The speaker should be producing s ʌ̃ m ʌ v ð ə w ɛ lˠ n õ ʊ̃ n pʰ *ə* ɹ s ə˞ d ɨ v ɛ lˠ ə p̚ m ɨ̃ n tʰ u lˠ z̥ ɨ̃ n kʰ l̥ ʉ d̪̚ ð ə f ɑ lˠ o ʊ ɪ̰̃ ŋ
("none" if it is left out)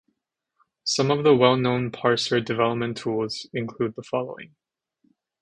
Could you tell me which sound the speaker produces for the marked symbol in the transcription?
ɑ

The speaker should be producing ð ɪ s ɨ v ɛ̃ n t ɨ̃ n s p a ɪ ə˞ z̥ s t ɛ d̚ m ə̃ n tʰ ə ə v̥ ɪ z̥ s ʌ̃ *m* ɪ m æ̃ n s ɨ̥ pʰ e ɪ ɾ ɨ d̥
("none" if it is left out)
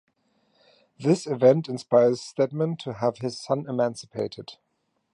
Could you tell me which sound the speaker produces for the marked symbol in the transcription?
n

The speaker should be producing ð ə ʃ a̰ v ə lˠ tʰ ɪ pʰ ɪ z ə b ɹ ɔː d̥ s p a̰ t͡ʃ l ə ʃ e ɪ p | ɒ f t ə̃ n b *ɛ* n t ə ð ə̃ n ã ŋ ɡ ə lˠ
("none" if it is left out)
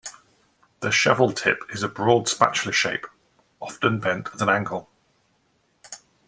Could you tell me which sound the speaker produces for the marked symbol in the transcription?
ɛ̃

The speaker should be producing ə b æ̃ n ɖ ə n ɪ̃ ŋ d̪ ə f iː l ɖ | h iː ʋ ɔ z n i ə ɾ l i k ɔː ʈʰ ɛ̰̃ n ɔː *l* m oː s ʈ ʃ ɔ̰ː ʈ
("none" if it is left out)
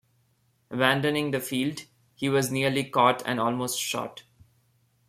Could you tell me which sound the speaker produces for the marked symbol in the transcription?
l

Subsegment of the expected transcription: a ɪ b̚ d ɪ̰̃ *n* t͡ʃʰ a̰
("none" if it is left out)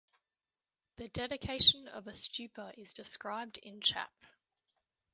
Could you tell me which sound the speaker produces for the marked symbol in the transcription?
n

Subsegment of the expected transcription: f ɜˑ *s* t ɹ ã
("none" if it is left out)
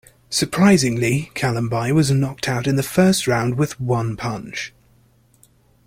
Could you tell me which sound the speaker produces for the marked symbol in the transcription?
s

